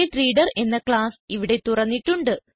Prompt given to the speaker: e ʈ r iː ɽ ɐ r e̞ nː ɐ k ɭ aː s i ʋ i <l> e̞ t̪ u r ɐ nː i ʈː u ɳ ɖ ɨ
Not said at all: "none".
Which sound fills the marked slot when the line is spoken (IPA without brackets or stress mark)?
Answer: ɽ